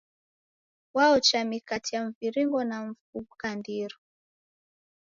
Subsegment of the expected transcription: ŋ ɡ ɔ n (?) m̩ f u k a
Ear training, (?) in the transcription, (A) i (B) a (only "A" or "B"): B